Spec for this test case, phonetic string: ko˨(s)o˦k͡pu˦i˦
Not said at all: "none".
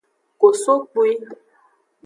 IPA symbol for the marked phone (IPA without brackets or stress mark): s